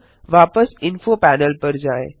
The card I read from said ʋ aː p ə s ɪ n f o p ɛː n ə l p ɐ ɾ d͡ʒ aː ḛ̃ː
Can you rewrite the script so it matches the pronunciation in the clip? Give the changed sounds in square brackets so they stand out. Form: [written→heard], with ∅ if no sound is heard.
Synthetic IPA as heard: ʋ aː p ə s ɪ n f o p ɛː n ə l p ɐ ɾ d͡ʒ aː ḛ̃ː